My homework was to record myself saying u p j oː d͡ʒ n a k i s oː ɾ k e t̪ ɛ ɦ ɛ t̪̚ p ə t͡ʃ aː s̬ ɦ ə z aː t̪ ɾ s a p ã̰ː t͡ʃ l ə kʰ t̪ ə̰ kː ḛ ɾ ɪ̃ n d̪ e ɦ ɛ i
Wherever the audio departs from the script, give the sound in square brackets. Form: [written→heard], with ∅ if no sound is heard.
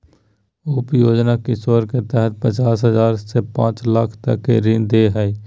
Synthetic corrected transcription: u p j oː d͡ʒ n a k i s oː ɾ k e t̪ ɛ ɦ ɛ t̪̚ p ə t͡ʃ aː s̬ ɦ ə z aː [t̪→∅] ɾ s [a→e] p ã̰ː t͡ʃ l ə kʰ t̪ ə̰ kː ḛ ɾ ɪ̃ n d̪ e ɦ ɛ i